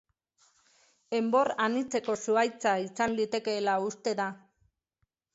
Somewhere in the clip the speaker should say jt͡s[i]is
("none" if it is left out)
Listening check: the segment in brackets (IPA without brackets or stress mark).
a